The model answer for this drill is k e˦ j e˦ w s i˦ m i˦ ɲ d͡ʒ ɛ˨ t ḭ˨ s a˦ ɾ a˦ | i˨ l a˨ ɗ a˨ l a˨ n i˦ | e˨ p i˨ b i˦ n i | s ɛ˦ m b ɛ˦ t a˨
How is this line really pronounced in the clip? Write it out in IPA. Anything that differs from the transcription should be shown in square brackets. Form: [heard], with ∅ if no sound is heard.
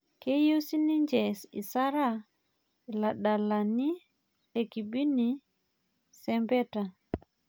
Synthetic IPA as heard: k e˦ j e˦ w s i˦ [n] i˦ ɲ d͡ʒ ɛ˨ [s] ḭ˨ s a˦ ɾ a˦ | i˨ l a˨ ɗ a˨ l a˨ n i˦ | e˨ [k] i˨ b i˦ n i | s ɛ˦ m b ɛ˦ t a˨

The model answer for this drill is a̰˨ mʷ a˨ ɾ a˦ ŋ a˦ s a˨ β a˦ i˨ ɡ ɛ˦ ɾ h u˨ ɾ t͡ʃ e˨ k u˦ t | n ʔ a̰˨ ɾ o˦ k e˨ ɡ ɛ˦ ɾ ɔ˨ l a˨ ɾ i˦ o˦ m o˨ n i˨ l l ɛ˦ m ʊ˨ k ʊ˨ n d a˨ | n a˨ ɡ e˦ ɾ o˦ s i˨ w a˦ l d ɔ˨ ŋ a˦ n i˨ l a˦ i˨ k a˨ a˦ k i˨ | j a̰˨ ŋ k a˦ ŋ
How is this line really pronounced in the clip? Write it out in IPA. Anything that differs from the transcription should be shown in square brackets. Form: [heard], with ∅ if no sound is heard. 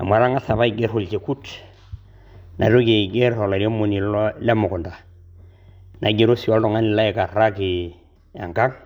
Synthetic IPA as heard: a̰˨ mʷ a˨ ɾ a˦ ŋ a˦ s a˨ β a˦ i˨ ɡ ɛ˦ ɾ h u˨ [l] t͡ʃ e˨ k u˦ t | n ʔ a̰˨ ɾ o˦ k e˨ ɡ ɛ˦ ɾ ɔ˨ l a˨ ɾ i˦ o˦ m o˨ n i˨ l l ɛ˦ m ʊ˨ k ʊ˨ n d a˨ | n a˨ ɡ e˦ ɾ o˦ s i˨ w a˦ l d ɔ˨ ŋ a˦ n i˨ l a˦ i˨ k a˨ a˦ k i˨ | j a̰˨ ŋ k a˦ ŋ

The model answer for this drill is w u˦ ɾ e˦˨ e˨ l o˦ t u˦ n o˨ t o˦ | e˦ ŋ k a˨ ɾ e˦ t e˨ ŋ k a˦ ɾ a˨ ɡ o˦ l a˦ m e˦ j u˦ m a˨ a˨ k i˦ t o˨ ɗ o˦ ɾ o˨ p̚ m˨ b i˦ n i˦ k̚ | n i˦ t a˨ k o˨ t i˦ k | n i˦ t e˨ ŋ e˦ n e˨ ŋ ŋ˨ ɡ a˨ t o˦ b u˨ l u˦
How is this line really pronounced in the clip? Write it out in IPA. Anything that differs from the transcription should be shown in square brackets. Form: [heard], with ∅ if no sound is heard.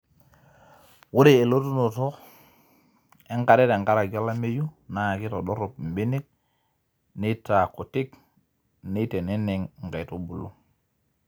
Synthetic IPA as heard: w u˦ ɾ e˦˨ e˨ l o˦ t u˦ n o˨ t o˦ | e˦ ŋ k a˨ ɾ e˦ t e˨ ŋ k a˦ ɾ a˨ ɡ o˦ l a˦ m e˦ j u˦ [n] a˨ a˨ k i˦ t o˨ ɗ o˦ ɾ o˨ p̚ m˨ b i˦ n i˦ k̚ | n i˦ t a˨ k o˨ t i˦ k | n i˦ t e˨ [n] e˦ n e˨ ŋ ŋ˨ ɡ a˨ t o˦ b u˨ l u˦

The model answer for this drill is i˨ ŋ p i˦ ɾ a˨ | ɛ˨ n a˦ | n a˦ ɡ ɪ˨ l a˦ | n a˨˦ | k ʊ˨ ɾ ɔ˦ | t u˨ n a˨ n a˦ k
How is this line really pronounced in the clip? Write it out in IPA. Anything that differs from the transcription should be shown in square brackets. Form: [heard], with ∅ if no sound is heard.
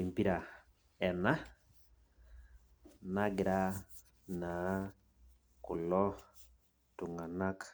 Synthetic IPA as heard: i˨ [m] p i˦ ɾ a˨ | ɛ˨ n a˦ | n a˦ ɡ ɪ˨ [ɾ] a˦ | n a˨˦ | k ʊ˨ [l] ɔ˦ | t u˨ [ŋ] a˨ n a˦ k

